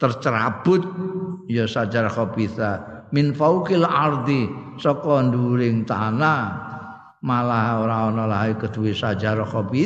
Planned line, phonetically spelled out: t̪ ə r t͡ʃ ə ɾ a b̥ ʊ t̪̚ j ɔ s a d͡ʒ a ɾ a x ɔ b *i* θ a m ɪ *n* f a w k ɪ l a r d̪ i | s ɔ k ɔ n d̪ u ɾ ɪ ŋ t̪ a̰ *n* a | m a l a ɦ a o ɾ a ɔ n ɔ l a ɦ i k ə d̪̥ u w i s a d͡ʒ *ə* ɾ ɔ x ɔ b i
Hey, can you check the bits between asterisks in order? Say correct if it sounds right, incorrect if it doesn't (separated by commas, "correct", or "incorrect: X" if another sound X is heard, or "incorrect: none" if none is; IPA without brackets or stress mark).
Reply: correct, correct, correct, incorrect: a